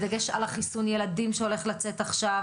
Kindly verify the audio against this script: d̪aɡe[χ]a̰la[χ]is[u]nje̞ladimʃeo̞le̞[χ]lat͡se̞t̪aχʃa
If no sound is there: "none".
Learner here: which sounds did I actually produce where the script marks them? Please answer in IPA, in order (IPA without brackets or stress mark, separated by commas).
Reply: ʃ, χ, u, χ